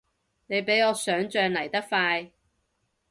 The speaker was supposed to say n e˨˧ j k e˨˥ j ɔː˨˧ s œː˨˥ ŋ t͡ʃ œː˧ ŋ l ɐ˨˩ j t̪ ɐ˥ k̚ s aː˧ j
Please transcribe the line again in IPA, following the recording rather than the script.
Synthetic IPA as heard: n e˨˧ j p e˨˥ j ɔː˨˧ s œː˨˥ ŋ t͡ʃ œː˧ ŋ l ɐ˨˩ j t̪ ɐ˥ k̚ f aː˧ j